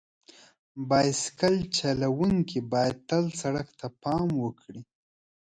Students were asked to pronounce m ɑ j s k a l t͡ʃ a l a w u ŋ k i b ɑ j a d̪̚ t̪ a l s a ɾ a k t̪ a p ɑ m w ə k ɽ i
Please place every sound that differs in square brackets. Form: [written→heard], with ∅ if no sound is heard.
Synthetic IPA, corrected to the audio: [m→b] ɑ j s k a l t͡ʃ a l a w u ŋ k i b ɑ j a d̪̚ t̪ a l s a [ɾ→ɽ] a k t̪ a p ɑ m w ə k ɽ i